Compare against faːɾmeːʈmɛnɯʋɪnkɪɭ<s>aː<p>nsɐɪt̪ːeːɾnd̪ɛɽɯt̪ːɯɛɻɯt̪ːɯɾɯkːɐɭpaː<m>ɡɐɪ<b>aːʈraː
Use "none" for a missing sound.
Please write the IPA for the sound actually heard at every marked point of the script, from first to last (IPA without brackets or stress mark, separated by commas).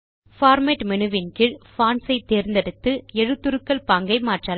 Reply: f, none, ŋ, m